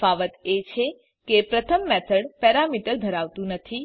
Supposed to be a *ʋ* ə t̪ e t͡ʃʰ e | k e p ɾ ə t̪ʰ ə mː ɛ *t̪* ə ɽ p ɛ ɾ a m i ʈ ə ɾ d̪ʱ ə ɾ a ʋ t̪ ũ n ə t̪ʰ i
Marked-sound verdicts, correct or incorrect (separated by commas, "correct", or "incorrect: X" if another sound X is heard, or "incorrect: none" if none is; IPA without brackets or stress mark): correct, incorrect: t̪ʰ